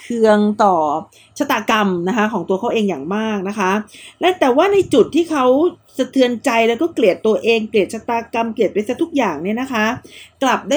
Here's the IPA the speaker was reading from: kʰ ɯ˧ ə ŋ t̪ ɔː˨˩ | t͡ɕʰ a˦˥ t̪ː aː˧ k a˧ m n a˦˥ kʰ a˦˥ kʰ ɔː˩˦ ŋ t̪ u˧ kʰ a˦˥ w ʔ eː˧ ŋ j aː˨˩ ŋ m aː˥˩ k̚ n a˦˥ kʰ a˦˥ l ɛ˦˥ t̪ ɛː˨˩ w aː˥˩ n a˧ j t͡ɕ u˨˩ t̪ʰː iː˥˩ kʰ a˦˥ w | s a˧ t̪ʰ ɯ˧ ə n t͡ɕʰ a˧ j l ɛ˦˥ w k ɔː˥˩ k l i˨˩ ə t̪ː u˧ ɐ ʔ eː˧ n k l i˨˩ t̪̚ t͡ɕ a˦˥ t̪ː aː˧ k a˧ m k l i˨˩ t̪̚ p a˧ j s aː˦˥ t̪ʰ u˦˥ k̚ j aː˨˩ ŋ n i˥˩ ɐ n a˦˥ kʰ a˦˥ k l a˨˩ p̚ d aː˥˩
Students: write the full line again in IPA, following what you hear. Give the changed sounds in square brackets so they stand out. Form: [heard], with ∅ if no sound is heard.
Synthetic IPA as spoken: kʰ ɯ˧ ə ŋ t̪ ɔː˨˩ | t͡ɕʰ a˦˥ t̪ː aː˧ k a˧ m n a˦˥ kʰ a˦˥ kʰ ɔː˩˦ ŋ t̪ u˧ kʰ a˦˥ w ʔ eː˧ ŋ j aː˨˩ ŋ m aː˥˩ k̚ n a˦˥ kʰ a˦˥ l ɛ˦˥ t̪ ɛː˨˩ w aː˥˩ n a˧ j t͡ɕ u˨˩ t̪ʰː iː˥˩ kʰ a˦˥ w | s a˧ t̪ʰ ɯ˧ ə n [t͡ɕ] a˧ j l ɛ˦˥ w k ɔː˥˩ k l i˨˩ ə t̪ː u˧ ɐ ʔ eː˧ [ŋ] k l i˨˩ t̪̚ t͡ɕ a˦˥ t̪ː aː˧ k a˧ m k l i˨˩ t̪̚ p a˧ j s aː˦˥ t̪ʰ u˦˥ k̚ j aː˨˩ ŋ n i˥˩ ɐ n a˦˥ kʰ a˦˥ k l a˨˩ p̚ d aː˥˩